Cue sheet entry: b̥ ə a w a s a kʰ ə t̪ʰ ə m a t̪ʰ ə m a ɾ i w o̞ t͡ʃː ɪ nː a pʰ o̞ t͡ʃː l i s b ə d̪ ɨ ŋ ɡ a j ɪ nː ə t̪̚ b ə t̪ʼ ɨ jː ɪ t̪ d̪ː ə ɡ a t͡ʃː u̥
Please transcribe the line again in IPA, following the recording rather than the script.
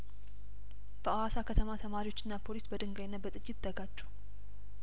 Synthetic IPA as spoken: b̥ ə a w a s a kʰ ə t̪ʰ ə m a t̪ʰ ə m a ɾ i w o̞ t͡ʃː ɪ nː a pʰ o̞ l i s b ə d̪ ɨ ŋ ɡ a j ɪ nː ə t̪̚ b ə t̪ʼ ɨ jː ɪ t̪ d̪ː ə ɡ a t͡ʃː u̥

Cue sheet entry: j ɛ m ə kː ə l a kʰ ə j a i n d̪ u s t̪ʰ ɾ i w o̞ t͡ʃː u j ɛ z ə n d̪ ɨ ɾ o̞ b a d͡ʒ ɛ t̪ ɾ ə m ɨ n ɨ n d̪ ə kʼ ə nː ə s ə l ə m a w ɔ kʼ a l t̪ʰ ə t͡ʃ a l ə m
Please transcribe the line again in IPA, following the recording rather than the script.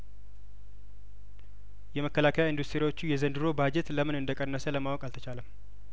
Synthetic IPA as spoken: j ɛ m ə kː ə l a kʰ ə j a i n d̪ u s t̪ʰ ɾ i w o̞ t͡ʃː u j ɛ z ə n d̪ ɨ ɾ o̞ b a d͡ʒ ɛ t̪ l ə m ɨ n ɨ n d̪ ə kʼ ə nː ə s ə l ə m a w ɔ kʼ a l t̪ʰ ə t͡ʃ a l ə m

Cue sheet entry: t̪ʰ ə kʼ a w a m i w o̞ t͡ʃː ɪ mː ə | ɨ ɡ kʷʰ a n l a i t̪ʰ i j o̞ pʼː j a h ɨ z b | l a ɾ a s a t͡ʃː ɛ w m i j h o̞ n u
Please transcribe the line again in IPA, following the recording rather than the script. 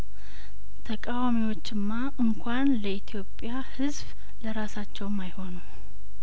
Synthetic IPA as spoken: t̪ʰ ə kʼ a w a m i w o̞ t͡ʃː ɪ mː a | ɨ ŋ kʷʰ a n l ə i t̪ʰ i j o̞ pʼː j a h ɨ z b | l ə ɾ a s a t͡ʃː ɛ w m a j h o̞ n u

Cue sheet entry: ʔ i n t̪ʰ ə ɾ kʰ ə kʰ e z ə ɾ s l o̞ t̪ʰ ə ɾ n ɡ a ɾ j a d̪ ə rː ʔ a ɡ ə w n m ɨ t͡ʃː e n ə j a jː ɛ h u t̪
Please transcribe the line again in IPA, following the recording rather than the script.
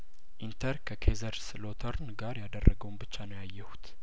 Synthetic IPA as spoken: ʔ i n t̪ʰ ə ɾ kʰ ə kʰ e z ə ɾ s l o̞ t̪ʰ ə ɾ n ɡ a ɾ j a d̪ ə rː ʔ ə ɡ ə w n b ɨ t͡ʃː a n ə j a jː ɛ h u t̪

